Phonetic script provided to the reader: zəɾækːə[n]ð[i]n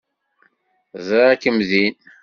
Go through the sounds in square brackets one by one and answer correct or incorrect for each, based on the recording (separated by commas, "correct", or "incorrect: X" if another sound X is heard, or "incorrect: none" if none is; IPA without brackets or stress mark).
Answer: incorrect: m, correct